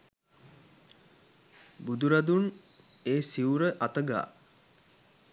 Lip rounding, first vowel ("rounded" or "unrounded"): rounded